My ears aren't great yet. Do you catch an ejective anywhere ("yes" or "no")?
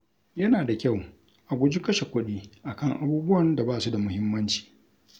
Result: no